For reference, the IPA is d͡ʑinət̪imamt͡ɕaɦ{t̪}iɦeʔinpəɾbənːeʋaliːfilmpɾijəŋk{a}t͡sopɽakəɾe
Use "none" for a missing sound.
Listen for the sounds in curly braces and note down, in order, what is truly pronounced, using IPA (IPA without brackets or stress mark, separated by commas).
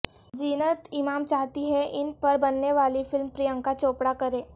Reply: t̪, a